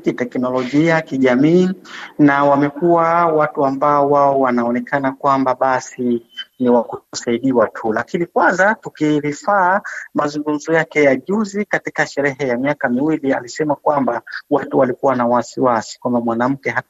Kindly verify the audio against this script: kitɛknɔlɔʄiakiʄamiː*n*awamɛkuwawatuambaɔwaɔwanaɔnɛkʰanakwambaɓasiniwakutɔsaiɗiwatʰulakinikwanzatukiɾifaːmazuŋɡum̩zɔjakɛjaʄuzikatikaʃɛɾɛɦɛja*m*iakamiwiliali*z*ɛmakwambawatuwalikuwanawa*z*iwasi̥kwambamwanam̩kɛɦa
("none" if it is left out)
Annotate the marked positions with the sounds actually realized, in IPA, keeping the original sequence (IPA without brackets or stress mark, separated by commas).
n, m, s, s